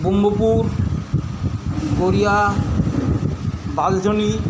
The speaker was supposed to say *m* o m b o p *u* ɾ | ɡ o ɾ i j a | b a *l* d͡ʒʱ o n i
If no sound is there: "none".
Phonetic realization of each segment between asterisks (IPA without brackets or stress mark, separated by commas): b, u, l